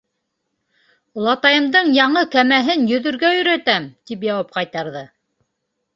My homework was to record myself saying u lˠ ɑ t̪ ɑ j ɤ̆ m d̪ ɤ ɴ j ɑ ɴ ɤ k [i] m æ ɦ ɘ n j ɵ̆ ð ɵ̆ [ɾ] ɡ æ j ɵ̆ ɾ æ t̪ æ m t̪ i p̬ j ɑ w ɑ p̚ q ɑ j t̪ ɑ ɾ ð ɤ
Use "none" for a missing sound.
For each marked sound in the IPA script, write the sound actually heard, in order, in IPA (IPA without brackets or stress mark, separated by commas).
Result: æ, ɾ